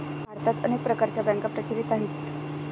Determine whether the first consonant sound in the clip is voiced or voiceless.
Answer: voiced